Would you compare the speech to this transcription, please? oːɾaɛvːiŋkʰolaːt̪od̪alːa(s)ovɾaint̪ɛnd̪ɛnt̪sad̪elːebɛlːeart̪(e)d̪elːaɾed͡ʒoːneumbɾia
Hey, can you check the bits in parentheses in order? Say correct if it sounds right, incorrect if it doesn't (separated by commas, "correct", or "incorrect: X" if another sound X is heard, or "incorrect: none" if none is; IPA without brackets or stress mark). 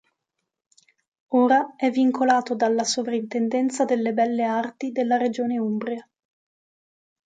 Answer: correct, incorrect: i